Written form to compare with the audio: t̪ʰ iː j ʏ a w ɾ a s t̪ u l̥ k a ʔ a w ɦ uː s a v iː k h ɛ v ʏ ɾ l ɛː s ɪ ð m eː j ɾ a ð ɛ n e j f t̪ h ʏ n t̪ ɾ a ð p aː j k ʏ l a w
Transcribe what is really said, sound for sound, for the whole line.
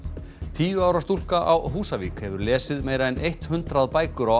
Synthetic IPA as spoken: t̪ʰ iː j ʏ a w ɾ a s t̪ u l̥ k a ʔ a w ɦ uː s a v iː k h ɛ v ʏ ɾ l ɛː s ɪ ð m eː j ɾ a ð ɛ n e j h t̪ h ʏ n t̪ ɾ a ð p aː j k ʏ ɾ a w